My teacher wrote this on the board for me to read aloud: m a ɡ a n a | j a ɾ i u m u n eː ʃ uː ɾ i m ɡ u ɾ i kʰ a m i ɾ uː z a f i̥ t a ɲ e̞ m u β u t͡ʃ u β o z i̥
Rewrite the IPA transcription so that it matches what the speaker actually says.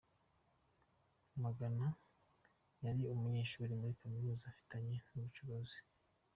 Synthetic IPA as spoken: m a ɡ a n a | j a ɾ i u m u ɲ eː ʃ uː ɾ i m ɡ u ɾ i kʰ a m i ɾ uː z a f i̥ t a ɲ e̞ n u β u t͡ʃ u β o z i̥

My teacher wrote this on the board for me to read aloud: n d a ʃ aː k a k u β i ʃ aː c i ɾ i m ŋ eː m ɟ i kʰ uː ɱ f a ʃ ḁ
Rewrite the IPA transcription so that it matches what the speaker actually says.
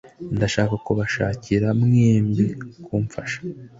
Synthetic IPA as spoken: n d a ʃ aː k a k u β a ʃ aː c i ɾ a m ŋ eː m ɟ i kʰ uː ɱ f a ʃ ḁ

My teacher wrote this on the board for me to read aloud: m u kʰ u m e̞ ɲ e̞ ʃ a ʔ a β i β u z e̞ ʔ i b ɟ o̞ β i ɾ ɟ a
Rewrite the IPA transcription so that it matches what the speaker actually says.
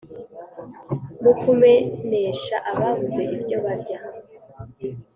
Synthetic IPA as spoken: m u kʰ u m e̞ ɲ e̞ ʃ a ʔ a β a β u z e̞ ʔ i b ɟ o̞ β a ɾ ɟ a

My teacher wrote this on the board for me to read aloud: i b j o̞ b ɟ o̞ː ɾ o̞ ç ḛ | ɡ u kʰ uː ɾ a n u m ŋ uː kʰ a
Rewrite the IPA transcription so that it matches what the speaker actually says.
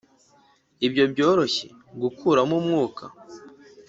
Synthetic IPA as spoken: i b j o̞ b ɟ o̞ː ɾ o̞ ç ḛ | ɡ u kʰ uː ɾ a m u m ŋ uː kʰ a

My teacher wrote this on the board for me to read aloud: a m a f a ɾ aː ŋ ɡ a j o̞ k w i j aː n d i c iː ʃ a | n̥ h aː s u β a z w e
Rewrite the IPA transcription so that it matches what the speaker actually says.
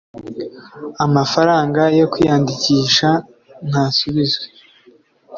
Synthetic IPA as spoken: a m a f a ɾ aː ŋ ɡ a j o̞ k w i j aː n d i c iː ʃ a | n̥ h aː s u β i z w e

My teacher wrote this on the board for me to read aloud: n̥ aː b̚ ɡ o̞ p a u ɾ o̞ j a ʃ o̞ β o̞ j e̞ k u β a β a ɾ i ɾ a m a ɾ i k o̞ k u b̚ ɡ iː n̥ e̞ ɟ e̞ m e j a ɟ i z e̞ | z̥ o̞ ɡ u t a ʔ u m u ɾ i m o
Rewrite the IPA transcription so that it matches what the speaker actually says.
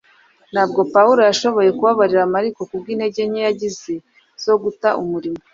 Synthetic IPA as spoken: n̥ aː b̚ ɡ o̞ p a u ɾ o̞ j a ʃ o̞ β o̞ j e̞ k u β a β a ɾ i ɾ a m a ɾ i k o̞ k u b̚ ɡ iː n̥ e̞ ɟ e̞ ɲ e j a ɟ i z e̞ | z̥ o̞ ɡ u t a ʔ u m u ɾ i m o

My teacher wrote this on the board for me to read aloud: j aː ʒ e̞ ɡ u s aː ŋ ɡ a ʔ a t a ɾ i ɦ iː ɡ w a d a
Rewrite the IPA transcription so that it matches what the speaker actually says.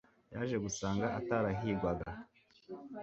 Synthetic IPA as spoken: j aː ʒ e̞ ɡ u s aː ŋ ɡ a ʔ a t a ɾ a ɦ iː ɡ w a ɡ a

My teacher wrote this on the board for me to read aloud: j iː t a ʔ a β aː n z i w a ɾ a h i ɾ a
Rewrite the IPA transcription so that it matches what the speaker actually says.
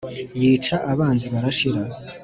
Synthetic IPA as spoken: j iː t͡ʃ a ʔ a β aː n z i β a ɾ a ʃ i ɾ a

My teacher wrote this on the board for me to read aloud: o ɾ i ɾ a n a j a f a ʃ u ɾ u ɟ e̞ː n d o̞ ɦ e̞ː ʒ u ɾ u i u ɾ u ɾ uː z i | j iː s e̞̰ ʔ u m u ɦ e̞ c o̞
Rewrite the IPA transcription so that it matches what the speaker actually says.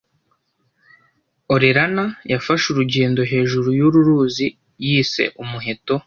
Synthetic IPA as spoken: o ɾ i ɾ a n a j a f a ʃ u ɾ u ɟ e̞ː n d o̞ ɦ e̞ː ʒ u ɾ u j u ɾ u ɾ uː z i | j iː s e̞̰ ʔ u m u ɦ e̞ t o̞

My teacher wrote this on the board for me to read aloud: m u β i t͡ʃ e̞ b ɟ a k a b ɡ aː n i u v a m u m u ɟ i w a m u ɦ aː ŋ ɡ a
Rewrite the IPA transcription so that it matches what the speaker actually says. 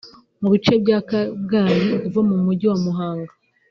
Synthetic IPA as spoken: m u β i t͡ʃ e̞ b ɟ a k a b ɡ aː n i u v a m u m u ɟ i w a m u ɦ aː ŋ ɡ a

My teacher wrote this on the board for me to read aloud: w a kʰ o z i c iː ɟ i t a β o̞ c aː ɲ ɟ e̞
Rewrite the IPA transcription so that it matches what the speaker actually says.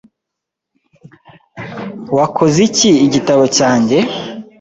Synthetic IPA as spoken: w a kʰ o z i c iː ɟ i t a β o̞ c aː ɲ ɟ e̞

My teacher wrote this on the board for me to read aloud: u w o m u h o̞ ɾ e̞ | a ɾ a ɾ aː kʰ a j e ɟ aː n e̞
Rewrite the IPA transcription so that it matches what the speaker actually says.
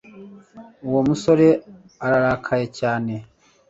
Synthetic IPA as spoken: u w o m u s o̞ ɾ e̞ | a ɾ a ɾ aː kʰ a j e c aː n e̞

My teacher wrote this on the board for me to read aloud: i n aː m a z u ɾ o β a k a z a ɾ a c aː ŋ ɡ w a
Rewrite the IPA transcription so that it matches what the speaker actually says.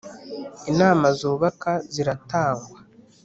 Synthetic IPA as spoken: i n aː m a z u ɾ u β a k a z i ɾ a t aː ŋ ɡ w a

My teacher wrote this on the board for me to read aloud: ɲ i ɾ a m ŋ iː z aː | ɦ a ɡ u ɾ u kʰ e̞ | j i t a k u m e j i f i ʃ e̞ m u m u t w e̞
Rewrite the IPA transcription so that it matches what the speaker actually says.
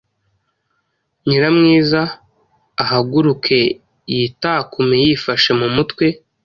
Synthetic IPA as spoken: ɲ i ɾ a m ŋ iː z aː | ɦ a ɡ u ɾ u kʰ e̞ | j i t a k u m e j i f a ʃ e̞ m u m u t w e̞

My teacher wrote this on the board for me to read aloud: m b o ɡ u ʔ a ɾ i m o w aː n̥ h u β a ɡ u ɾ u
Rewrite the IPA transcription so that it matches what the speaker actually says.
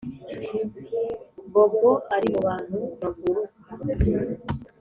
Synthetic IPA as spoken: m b o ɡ o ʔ a ɾ i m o β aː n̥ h u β a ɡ u ɾ u

